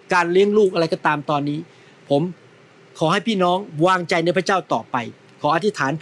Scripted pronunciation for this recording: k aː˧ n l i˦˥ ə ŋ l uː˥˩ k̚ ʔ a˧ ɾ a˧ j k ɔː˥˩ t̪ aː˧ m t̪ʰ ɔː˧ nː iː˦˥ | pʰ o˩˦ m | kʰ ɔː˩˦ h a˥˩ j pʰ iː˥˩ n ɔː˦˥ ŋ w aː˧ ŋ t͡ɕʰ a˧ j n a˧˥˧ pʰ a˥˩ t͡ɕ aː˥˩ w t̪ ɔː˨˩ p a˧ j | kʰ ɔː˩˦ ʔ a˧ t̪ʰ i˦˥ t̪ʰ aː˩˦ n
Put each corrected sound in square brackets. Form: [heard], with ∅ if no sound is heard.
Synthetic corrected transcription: k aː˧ n l i˦˥ ə ŋ l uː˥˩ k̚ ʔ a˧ ɾ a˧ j k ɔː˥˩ t̪ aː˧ m [t̪] ɔː˧ nː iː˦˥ | pʰ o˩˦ m | kʰ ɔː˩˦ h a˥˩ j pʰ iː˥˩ n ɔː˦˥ ŋ w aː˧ ŋ [t͡ɕ] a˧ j n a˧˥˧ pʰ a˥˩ t͡ɕ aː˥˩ w t̪ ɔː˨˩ p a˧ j | kʰ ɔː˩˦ ʔ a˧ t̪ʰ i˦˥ t̪ʰ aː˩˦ n